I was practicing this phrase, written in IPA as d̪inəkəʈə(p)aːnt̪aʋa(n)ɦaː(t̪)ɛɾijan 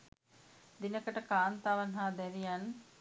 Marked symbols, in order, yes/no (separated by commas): no, yes, no